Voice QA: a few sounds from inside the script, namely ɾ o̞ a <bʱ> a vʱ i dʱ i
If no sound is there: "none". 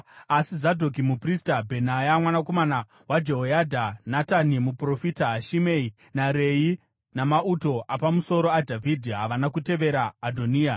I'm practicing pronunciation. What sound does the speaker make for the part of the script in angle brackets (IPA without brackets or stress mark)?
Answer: dʱ